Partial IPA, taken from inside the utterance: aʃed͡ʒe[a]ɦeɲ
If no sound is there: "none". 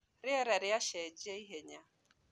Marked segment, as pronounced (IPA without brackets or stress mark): i